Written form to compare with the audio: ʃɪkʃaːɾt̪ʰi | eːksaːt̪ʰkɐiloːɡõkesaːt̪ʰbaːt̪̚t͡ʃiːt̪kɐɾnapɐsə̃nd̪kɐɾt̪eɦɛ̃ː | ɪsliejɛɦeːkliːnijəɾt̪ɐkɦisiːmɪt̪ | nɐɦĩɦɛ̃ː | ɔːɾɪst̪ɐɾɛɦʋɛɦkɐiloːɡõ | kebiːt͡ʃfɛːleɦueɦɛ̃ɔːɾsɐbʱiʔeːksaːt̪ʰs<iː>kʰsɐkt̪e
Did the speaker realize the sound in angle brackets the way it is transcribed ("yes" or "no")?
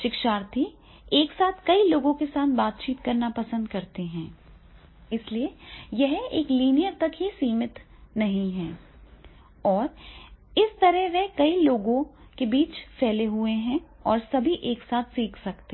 yes